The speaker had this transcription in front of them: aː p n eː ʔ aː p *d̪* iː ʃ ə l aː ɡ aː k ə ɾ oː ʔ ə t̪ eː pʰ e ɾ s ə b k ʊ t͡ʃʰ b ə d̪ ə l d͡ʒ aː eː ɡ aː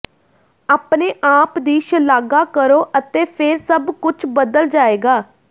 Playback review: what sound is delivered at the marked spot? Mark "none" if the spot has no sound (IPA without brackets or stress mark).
d̪